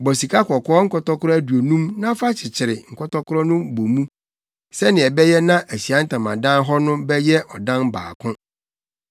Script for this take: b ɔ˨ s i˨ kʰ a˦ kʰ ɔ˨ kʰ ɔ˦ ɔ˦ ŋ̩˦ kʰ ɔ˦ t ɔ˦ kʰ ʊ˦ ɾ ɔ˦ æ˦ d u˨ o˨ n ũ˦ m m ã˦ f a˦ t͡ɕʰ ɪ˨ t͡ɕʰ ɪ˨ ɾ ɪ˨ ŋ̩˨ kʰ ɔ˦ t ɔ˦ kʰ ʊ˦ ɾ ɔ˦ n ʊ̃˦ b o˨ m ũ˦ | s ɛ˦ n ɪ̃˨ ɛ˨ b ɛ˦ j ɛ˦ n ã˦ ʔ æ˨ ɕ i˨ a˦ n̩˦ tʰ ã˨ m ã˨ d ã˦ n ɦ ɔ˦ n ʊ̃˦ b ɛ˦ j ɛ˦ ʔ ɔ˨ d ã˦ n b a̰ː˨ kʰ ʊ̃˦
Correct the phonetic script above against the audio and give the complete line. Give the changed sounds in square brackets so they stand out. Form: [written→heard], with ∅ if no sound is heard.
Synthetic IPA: b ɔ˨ s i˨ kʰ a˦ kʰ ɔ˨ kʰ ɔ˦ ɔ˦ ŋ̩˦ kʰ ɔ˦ t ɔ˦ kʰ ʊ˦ ɾ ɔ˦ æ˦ d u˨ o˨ n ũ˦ m [m→n] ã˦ f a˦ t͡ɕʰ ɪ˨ t͡ɕʰ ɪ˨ ɾ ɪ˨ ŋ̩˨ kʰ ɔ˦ t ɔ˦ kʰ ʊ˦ ɾ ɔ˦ n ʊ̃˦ b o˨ m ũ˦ | s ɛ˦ n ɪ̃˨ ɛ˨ b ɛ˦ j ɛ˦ n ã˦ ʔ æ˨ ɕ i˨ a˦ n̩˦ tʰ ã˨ m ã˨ d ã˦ n ɦ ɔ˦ n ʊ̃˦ b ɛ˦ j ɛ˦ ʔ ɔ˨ d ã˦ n b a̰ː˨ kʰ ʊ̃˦